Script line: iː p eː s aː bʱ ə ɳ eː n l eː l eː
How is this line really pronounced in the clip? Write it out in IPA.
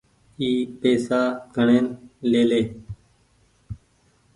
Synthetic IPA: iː p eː s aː ɡʱ ə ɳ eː n l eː l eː